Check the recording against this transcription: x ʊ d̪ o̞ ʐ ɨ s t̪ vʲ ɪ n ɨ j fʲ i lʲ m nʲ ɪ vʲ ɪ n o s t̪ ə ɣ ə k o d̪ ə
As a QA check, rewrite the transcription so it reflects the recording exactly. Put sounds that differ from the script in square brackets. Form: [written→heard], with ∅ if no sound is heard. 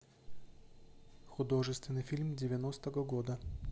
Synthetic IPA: x ʊ d̪ o̞ ʐ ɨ s t̪ vʲ ɪ n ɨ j fʲ i lʲ m [nʲ→dʲ] ɪ vʲ ɪ n o s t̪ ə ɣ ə [k→ɡ] o d̪ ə